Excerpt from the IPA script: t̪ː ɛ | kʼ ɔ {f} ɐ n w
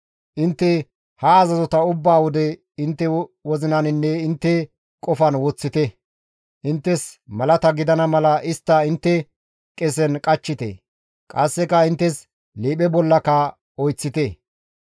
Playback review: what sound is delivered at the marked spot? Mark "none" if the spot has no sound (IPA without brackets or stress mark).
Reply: f